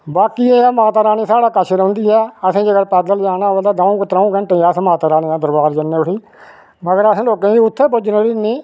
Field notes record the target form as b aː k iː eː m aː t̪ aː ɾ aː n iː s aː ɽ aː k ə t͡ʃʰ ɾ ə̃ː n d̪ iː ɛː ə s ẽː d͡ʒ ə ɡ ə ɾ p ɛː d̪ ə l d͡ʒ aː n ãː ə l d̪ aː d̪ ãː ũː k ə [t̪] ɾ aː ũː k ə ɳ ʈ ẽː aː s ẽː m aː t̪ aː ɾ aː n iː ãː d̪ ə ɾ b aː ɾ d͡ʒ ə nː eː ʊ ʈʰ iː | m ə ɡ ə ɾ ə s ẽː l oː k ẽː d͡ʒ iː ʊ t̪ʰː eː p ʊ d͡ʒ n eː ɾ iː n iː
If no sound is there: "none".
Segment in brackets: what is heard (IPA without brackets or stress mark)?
t̪